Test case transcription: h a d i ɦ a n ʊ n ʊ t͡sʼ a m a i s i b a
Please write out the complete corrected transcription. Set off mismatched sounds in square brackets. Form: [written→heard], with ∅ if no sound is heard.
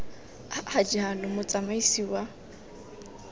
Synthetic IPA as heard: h a [d→d͡ʒ] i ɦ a n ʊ [n→m] ʊ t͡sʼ a m a i s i [b→w] a